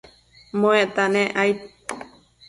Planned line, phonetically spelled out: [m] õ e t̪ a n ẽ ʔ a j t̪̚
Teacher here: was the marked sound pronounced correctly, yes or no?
yes